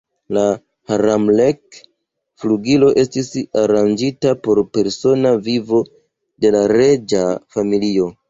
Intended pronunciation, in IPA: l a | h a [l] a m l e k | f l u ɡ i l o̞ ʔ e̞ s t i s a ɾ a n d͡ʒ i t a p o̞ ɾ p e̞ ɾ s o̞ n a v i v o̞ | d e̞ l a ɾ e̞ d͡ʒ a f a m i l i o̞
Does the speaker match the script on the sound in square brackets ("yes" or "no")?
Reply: no